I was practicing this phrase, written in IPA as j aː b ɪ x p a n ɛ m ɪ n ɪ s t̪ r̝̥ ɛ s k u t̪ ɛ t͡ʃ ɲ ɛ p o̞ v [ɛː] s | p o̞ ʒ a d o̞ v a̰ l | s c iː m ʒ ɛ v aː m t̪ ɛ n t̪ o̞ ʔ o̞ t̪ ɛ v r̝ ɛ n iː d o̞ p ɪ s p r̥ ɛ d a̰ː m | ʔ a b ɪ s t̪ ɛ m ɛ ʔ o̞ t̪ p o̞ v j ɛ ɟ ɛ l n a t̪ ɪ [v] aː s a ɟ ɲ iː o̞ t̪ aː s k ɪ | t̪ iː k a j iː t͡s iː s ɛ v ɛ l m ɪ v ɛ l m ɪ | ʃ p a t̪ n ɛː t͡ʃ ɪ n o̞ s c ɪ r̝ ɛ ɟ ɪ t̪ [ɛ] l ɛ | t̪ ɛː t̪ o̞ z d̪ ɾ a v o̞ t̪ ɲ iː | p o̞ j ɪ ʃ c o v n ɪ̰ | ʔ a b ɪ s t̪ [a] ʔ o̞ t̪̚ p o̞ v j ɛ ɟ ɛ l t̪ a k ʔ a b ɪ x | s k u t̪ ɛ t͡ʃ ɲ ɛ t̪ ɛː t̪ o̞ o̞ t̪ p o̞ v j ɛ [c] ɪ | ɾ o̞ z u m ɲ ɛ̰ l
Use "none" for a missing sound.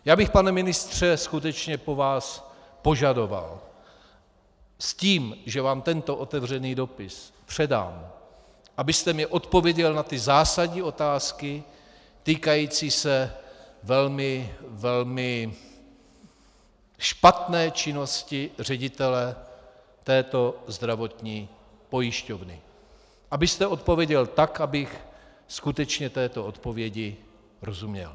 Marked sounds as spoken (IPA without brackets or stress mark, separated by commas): aː, z, ɛ, ɛ, ɟ